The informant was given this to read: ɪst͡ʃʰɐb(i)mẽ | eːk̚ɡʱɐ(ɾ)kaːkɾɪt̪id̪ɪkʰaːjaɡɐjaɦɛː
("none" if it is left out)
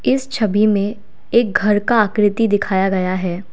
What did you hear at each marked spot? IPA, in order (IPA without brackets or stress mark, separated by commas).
i, ɾ